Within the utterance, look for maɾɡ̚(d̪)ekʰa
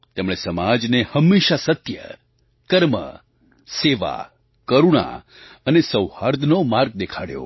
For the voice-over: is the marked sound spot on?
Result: yes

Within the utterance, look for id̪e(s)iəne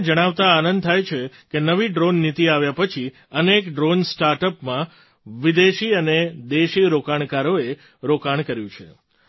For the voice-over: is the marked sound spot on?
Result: no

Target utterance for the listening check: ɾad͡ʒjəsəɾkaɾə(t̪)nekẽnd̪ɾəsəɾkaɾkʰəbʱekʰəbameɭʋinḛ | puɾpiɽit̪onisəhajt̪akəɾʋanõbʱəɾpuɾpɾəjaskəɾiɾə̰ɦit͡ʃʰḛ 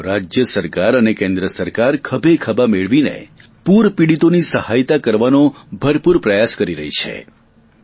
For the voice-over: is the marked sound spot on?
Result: no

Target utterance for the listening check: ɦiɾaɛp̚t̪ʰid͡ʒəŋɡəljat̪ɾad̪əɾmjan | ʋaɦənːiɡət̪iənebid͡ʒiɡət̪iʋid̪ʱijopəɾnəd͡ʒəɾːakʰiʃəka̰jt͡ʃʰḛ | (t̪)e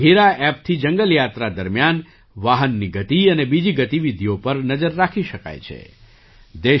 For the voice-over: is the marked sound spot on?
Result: no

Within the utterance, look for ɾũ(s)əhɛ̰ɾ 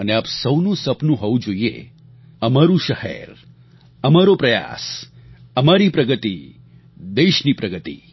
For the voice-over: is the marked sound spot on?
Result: no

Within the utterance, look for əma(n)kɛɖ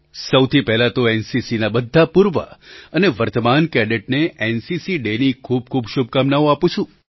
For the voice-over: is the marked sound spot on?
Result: yes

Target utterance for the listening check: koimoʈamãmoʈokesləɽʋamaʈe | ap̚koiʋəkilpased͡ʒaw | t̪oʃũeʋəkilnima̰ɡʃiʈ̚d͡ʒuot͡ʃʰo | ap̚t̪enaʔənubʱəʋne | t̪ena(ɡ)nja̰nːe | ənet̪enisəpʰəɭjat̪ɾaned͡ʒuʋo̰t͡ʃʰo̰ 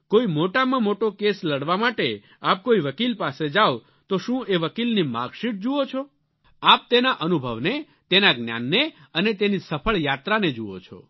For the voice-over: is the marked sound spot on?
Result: yes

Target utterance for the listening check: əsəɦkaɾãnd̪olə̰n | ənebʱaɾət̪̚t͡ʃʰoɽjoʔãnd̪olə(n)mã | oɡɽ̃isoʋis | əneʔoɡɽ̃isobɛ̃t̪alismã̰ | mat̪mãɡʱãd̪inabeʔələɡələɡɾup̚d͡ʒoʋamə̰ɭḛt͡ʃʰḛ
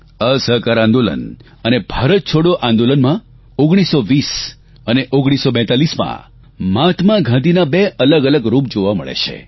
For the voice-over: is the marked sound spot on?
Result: yes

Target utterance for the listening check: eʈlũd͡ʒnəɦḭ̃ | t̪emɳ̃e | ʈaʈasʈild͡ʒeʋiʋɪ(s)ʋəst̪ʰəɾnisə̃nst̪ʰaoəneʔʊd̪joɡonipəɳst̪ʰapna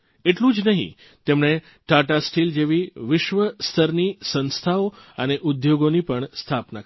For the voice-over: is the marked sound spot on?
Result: no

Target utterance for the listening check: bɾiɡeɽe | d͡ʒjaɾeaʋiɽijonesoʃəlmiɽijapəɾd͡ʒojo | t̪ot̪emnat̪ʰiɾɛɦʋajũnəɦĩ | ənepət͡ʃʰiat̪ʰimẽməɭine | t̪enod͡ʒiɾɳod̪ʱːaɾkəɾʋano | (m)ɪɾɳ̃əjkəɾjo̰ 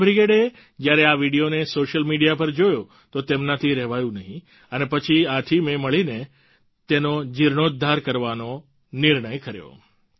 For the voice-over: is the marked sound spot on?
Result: no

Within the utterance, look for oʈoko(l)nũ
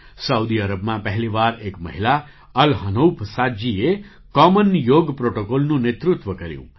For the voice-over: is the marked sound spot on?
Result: yes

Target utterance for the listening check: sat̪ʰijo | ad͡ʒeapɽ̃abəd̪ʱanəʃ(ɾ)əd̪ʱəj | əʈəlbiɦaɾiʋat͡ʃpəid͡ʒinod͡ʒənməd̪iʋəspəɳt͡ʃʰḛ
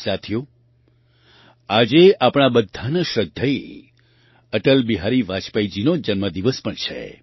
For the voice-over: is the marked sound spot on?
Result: yes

